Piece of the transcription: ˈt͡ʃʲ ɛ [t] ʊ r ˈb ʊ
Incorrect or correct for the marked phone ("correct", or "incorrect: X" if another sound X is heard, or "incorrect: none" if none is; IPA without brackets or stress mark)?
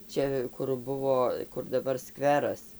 incorrect: k